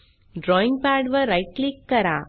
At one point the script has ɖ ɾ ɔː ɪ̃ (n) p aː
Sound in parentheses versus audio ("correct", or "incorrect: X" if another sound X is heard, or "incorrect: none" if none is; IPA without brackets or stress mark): incorrect: ŋ